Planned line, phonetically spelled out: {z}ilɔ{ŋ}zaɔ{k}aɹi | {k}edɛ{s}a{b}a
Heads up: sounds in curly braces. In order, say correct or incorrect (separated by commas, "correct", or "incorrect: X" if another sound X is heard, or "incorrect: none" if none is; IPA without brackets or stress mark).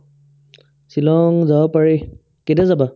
incorrect: s, correct, incorrect: p, correct, incorrect: z, correct